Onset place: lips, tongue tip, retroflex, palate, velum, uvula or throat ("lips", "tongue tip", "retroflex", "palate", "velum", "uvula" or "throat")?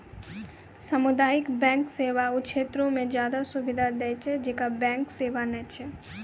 tongue tip